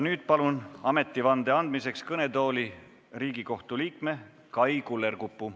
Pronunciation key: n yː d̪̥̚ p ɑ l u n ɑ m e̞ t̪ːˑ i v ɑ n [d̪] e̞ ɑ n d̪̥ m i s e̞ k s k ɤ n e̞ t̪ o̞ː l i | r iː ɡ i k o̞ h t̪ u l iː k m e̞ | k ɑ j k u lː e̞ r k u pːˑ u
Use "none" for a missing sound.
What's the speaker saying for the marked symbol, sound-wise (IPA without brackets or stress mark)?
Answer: d̪